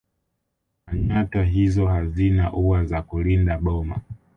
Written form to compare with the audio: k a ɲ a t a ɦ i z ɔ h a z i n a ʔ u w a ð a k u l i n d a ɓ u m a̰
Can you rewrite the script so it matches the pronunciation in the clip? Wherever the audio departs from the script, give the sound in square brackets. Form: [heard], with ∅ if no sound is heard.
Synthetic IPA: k a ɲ a t a ɦ i z ɔ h a z i n a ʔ u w a [z] a k u l i n d a ɓ [ɔ] m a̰